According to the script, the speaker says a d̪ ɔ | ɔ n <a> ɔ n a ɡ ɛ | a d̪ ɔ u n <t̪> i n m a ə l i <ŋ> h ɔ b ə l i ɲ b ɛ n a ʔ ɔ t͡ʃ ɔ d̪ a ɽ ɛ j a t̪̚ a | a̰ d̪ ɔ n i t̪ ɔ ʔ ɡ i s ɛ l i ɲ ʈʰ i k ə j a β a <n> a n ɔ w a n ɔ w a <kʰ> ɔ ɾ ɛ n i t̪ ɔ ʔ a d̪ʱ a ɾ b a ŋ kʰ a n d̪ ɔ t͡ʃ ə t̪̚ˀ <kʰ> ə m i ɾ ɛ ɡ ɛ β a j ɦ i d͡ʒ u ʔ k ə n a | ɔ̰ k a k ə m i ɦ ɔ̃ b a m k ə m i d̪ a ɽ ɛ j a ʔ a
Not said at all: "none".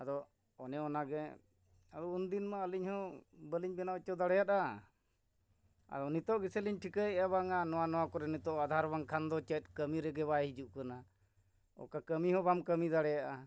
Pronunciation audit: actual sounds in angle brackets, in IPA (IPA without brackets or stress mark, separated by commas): ɛ, d̪, ɲ, ŋ, k, k